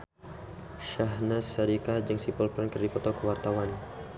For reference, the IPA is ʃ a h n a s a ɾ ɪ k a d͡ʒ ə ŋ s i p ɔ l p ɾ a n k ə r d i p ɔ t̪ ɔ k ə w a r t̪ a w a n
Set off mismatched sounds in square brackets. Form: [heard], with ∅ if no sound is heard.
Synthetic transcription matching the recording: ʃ a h n a s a ɾ [i] k a d͡ʒ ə ŋ s i p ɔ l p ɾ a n k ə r d i p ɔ t̪ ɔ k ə w a r t̪ a w a n

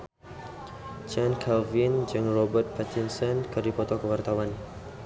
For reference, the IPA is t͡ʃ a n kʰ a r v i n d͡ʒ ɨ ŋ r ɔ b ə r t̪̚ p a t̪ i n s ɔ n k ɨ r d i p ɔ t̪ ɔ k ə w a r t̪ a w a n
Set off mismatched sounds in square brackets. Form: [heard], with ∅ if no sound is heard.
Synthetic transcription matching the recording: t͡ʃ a n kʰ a [l] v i n d͡ʒ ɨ ŋ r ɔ b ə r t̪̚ p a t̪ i n s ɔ n k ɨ r d i p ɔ t̪ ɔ k ə w a r t̪ a w a n

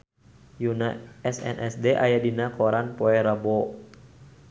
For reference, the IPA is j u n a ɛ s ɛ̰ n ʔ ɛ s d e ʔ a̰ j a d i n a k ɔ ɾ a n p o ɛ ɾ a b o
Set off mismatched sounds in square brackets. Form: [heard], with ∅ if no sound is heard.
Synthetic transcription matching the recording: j u n a ɛ s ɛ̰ n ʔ ɛ s d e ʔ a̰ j a d i n a k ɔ ɾ a n p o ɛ ɾ a b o

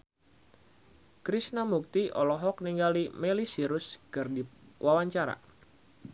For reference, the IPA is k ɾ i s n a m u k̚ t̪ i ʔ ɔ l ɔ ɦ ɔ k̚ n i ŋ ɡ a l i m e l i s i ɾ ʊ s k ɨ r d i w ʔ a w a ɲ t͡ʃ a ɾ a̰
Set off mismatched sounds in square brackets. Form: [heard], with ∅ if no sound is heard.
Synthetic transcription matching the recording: k ɾ i s n a m u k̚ t̪ i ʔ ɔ l ɔ ɦ ɔ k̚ n i ŋ ɡ a l i m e l i s i ɾ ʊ s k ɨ r d i w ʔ a w a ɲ t͡ʃ a ɾ a̰

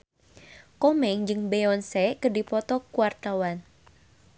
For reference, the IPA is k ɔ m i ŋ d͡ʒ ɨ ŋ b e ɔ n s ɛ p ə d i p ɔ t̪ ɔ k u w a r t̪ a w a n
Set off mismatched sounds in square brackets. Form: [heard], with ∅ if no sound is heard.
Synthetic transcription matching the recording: k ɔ m [ɛ] ŋ d͡ʒ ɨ ŋ b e ɔ n s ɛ [k] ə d i p ɔ t̪ ɔ k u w a r t̪ a w a n

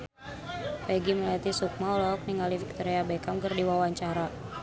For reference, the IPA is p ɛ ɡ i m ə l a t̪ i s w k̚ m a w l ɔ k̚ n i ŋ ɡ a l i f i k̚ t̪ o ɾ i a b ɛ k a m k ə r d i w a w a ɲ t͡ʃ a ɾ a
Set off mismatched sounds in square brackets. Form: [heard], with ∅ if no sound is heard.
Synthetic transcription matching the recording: p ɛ ɡ i m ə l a t̪ i s [u] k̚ m a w l ɔ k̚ n i ŋ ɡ a l i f i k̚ t̪ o ɾ i a b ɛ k a m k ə r d i w a w a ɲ t͡ʃ a ɾ a

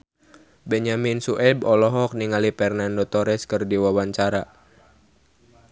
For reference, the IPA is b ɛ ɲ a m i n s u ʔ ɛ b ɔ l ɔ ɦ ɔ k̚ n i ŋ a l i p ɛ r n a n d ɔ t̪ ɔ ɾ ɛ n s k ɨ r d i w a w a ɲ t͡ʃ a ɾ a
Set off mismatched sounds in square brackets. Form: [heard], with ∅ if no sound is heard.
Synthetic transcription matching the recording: b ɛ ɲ a m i n s u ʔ ɛ b ɔ l ɔ ɦ ɔ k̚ n i ŋ a l i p ɛ r n a n d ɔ t̪ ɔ ɾ ɛ [∅] s k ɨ r d i w a w a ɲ t͡ʃ a ɾ a

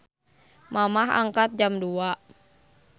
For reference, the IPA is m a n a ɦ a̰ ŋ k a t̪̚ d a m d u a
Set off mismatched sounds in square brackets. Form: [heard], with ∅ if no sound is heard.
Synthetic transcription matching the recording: m a [m] a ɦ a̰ ŋ k a t̪̚ [d͡ʒ] a m d u a

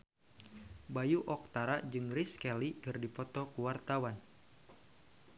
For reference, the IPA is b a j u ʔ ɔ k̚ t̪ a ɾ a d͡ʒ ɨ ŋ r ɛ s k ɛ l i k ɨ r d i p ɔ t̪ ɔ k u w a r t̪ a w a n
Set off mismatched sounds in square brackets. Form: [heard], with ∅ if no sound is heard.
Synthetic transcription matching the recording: b a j u ʔ ɔ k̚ t̪ a ɾ a d͡ʒ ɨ ŋ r [i] s k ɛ l i k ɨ r d i p ɔ t̪ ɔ k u w a r t̪ a w a n

